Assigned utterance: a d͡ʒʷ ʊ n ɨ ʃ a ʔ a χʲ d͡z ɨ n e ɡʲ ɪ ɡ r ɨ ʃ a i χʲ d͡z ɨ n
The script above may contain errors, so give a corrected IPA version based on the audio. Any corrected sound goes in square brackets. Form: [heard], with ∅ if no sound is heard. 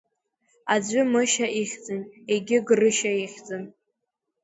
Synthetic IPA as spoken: a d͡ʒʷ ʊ [m] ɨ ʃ a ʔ [i] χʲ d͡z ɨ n e ɡʲ ɪ ɡ r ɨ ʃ a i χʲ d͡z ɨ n